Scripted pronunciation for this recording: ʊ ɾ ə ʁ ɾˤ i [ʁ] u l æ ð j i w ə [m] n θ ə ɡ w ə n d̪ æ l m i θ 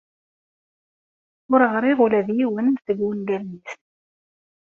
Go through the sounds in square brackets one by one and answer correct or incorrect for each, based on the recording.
correct, incorrect

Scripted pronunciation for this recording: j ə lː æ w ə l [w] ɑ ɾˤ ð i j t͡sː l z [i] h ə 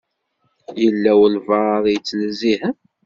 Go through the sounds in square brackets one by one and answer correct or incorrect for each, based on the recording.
incorrect, correct

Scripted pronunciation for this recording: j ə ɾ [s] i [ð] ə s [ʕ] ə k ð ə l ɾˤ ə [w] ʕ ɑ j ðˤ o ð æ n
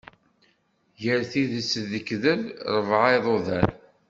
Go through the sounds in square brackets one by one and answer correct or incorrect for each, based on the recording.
incorrect, correct, incorrect, incorrect

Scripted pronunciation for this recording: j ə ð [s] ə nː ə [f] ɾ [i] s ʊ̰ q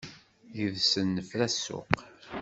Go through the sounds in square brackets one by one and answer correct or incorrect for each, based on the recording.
correct, correct, incorrect

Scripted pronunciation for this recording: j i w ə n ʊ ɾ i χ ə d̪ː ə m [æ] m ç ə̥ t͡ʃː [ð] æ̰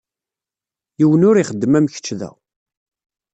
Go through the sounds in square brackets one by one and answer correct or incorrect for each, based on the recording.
correct, correct

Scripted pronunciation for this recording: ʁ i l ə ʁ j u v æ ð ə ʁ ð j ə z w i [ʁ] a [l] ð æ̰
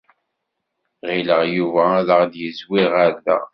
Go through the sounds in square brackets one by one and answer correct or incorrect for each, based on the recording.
correct, incorrect

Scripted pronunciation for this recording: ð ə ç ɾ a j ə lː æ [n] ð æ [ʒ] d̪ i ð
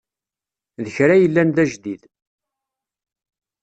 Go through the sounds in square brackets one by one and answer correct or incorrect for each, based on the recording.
correct, correct

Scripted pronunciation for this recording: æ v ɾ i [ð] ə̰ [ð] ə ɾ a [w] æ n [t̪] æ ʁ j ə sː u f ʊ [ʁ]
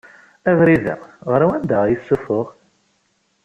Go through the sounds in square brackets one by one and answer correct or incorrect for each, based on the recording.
correct, incorrect, correct, incorrect, correct

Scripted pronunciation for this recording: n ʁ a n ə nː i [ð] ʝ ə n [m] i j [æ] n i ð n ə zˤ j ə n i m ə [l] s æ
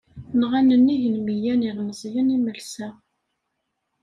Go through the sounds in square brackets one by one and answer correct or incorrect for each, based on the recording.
incorrect, correct, correct, correct

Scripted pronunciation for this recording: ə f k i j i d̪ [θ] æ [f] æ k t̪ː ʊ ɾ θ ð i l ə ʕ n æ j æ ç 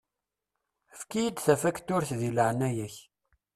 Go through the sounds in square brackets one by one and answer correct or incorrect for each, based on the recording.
correct, correct

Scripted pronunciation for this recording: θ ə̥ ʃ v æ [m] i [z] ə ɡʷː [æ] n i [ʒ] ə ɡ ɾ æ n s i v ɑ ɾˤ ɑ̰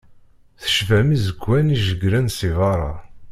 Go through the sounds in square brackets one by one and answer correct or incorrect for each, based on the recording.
correct, correct, correct, correct

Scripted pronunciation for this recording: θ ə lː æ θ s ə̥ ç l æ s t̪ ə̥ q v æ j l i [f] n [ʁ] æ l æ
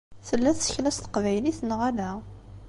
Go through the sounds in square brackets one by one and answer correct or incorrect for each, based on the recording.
incorrect, correct

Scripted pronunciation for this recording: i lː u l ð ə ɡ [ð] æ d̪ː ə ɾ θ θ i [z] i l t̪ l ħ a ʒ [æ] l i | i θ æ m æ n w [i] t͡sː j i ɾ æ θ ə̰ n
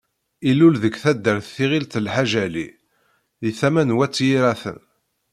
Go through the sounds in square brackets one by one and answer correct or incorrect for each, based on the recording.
incorrect, incorrect, correct, incorrect

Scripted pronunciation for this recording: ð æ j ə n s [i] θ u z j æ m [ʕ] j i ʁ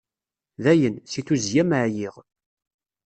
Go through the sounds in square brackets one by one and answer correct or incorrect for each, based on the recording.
correct, correct

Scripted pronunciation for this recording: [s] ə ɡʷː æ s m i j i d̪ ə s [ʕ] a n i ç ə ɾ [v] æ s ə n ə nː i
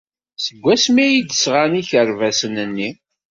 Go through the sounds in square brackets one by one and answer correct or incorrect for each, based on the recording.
correct, incorrect, correct

